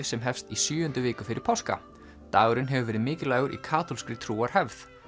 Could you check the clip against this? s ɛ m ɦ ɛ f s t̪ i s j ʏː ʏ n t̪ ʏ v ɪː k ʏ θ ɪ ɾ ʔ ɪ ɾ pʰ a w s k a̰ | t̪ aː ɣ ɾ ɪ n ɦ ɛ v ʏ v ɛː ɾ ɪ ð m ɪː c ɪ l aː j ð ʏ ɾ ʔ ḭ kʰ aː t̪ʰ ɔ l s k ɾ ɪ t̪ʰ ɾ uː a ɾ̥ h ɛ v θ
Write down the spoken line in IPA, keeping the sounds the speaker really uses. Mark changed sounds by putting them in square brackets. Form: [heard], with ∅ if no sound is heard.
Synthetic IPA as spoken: s ɛ m ɦ ɛ f s t̪ i s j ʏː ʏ n t̪ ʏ v ɪː k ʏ [f] ɪ ɾ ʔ ɪ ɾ pʰ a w s k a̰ | t̪ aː ɣ ɾ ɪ n ɦ ɛ v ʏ v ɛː ɾ ɪ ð m ɪː c ɪ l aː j [ɣ] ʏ ɾ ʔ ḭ kʰ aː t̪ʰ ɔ l s k ɾ ɪ t̪ʰ ɾ uː a ɾ̥ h ɛ v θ